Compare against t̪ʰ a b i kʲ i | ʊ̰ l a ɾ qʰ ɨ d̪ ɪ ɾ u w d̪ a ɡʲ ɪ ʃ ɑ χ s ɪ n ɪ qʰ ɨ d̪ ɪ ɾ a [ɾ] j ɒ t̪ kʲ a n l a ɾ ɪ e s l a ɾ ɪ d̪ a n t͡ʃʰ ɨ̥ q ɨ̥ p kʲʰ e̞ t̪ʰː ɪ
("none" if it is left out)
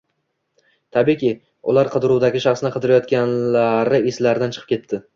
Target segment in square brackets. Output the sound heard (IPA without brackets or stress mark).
none